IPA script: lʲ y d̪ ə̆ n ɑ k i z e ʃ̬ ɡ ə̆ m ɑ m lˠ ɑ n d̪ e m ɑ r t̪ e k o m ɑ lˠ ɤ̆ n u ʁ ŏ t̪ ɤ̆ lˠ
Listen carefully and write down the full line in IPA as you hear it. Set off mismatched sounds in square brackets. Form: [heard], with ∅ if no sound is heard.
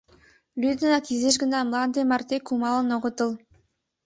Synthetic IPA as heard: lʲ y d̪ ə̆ n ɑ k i z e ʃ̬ ɡ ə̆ [n] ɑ m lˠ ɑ n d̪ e m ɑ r t̪ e k [u] m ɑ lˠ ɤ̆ n [o] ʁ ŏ t̪ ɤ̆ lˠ